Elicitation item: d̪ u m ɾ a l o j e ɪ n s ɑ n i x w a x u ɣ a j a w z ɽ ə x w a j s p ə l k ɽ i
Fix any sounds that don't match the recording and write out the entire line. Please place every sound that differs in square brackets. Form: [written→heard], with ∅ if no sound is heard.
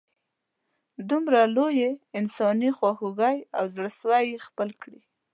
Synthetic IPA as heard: d̪ u m ɾ a l o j e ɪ n s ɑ n i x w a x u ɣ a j a w z ɽ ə [x→s] w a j [s→x] p ə l k ɽ i